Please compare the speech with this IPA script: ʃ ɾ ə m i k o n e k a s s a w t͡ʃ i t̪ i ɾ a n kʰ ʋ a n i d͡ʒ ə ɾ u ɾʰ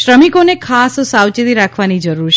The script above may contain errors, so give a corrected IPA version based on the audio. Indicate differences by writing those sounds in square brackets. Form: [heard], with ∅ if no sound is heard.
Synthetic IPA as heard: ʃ ɾ ə m i k o n e [kʰ] a s s a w t͡ʃ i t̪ i ɾ a [∅] kʰ ʋ a n i d͡ʒ ə ɾ u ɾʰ